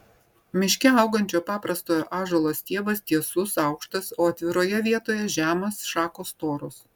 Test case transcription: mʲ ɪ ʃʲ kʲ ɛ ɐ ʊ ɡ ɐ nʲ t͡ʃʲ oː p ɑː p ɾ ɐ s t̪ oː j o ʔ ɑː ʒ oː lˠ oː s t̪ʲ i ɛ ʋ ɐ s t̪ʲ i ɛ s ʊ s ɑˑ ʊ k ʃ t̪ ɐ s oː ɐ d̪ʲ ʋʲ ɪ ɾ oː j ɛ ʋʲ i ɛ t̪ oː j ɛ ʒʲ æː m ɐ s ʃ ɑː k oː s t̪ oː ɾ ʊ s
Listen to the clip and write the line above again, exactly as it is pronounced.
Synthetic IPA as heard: mʲ ɪ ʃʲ kʲ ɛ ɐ ʊ ɡ ɐ nʲ t͡ʃʲ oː p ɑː p ɾ ɐ s t̪ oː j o ʔ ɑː ʒ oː lˠ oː s t̪ʲ i ɛ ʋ ɐ s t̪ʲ i ɛ s ʊ s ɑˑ ʊ k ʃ t̪ ɐ s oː ɐ t̪ʲ ʋʲ ɪ ɾ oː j ɛ ʋʲ i ɛ t̪ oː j ɛ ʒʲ æː m ɐ s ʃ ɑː k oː s t̪ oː ɾ ʊ s